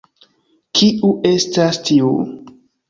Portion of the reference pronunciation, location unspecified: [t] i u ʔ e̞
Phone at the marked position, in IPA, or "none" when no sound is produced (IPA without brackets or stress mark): k